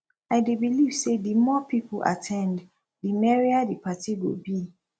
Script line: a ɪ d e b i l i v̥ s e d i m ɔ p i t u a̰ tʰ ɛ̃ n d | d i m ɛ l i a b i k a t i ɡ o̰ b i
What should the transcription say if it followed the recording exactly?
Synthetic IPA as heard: a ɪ d e b i l i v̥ s e d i m ɔ p i p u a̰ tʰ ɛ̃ n d | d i m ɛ ɹ i a d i p a t i ɡ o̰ b i